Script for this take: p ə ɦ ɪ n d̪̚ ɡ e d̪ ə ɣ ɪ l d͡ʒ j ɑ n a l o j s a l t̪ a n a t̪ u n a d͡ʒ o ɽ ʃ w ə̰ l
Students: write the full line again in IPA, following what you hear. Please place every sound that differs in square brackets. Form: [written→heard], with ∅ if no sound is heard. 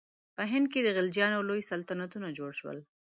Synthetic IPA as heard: p ə ɦ ɪ n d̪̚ [ɡ→k] e d̪ ə ɣ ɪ l d͡ʒ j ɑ n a l o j s a l t̪ a n a t̪ u n a d͡ʒ o ɽ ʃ w ə̰ l